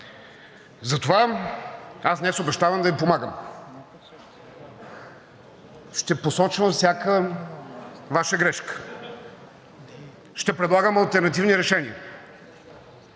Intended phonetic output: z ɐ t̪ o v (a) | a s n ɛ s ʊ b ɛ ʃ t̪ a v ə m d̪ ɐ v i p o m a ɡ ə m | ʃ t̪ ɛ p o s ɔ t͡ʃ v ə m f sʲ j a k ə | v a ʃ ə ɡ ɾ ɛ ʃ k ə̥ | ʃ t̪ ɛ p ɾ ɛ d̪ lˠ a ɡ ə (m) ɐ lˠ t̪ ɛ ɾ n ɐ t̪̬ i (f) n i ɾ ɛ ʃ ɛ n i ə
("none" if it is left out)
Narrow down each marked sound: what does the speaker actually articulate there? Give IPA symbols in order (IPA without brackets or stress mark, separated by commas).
a, m, v